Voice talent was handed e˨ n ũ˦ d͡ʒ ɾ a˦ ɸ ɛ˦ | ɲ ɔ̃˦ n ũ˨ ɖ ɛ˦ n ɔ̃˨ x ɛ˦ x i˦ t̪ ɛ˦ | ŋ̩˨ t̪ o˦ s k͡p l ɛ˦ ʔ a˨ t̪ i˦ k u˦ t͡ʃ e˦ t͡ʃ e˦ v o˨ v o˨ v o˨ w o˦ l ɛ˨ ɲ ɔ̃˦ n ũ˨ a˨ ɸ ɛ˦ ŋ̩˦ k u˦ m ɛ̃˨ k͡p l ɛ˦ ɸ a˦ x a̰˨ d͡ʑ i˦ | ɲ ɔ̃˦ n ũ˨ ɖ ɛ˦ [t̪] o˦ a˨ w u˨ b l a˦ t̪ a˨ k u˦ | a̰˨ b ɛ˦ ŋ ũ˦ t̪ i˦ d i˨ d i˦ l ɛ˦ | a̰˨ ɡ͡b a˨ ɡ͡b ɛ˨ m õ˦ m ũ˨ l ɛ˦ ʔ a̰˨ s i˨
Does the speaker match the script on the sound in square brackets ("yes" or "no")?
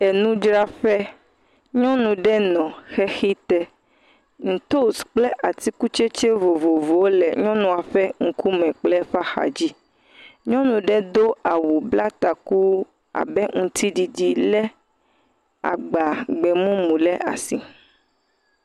no